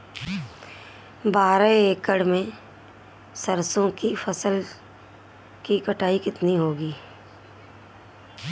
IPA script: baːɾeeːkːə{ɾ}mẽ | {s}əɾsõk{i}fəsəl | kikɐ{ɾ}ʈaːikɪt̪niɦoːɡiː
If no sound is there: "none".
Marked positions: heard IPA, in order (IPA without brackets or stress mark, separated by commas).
ɽ, s, i, none